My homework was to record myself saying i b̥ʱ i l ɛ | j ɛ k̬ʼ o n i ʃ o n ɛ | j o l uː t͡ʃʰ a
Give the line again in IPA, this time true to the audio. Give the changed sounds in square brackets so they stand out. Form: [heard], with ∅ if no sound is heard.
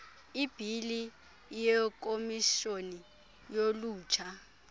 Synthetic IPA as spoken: i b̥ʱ i l [i] | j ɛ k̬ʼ o [m] i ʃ o n [i] | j o l uː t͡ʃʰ a